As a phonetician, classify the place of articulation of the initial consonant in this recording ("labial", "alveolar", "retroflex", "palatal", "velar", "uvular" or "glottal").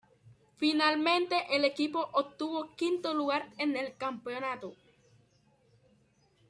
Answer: labial